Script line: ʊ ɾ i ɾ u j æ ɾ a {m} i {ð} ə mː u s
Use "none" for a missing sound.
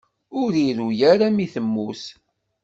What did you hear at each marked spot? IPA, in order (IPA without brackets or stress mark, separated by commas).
m, θ